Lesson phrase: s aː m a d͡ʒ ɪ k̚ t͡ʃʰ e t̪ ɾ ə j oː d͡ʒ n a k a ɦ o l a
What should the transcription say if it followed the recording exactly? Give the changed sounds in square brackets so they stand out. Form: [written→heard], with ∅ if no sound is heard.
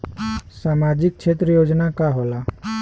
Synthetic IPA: s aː m a d͡ʒ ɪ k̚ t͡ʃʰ e t̪ ɾ ə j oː d͡ʒ n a k a ɦ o l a